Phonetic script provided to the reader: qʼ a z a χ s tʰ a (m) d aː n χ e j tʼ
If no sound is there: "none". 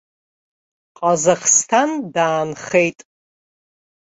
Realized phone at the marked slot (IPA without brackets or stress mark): n